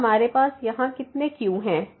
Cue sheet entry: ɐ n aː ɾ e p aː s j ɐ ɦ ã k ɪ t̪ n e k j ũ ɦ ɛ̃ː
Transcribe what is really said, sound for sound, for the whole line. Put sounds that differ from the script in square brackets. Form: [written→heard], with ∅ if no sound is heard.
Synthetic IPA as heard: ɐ [n→m] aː ɾ e p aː s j ɐ ɦ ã k ɪ t̪ n e k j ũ ɦ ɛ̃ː

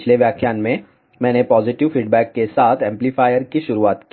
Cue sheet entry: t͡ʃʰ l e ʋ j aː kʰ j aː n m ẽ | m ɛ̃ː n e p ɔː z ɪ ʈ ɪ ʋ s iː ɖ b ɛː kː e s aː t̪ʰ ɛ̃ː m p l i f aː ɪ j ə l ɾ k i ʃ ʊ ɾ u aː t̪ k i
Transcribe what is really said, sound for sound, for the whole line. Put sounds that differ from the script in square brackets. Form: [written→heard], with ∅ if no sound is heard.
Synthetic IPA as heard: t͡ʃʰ l e ʋ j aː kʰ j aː n m ẽ | m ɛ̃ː n e p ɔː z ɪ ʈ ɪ ʋ [s→f] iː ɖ b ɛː kː e s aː t̪ʰ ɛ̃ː m p l i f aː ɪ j ə [l→∅] ɾ k i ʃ ʊ ɾ u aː t̪ k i

